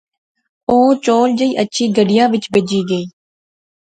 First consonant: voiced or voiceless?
voiceless